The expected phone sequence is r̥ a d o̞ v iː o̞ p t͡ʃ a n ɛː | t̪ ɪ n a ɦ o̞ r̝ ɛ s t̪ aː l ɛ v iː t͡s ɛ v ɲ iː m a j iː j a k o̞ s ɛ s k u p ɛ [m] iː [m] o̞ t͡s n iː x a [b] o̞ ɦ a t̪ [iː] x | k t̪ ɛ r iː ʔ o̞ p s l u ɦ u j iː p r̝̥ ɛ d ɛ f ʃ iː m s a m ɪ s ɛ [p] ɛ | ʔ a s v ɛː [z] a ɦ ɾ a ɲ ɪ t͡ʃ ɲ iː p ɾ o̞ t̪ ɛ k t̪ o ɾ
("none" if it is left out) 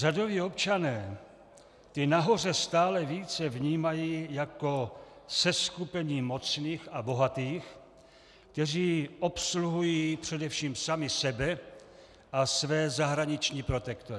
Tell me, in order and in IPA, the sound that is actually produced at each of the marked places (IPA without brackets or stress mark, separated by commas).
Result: ɲ, m, b, iː, b, z